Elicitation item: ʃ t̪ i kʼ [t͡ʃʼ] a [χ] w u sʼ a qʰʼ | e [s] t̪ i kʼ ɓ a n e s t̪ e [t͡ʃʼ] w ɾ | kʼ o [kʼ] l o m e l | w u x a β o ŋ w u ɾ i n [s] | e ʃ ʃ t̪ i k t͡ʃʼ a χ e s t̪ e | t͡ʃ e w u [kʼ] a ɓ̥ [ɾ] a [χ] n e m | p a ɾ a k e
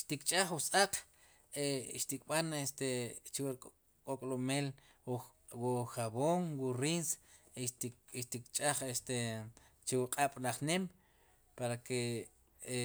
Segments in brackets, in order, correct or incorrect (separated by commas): correct, correct, incorrect, incorrect, correct, correct, incorrect, incorrect, correct